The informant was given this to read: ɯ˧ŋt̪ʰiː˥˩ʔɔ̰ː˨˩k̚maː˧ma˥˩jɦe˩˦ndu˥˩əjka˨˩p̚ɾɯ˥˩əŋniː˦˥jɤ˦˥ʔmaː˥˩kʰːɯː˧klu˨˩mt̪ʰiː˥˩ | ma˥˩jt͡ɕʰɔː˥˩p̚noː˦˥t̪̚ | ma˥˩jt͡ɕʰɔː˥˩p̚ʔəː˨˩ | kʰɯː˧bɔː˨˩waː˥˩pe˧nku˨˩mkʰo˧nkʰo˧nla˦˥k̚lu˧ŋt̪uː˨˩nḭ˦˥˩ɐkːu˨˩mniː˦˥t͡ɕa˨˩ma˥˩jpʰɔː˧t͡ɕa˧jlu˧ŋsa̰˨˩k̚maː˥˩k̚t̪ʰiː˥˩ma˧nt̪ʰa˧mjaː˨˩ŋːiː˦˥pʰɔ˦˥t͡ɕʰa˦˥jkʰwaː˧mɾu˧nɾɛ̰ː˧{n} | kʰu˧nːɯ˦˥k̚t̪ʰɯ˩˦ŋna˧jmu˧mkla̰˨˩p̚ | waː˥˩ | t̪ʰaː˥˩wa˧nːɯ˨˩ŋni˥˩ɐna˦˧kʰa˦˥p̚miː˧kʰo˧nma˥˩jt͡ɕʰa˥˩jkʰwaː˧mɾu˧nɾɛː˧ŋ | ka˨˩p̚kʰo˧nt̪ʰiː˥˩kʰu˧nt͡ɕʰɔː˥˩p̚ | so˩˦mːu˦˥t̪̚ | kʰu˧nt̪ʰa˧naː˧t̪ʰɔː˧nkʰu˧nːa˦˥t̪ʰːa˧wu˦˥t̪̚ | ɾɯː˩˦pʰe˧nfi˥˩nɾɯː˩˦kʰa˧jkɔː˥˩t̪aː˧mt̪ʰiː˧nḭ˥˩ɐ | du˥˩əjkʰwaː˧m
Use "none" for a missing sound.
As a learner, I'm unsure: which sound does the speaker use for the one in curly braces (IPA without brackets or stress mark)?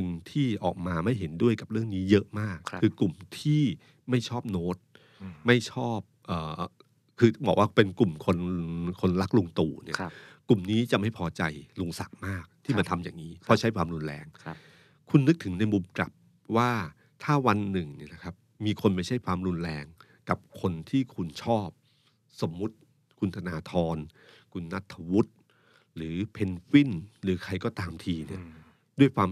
ŋ